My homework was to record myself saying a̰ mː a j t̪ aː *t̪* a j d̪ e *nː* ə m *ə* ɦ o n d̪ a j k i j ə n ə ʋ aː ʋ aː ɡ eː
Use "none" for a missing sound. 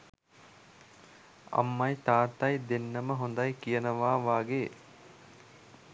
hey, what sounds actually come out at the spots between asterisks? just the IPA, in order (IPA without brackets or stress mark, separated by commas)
t̪, nː, ə